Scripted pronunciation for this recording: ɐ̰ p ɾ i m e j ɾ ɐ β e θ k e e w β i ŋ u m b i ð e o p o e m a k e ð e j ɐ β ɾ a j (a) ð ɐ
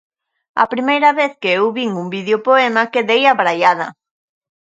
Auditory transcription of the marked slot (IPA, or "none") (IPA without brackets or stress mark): a